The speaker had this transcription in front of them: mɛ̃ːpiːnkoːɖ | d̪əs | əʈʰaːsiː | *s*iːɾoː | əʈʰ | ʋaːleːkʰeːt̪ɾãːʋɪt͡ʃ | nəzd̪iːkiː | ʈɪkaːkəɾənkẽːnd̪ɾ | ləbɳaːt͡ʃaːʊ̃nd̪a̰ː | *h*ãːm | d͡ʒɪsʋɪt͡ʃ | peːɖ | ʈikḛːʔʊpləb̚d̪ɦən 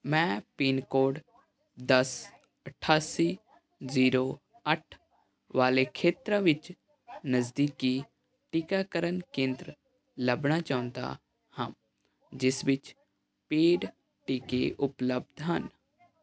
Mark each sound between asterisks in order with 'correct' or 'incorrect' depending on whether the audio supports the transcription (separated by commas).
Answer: incorrect, correct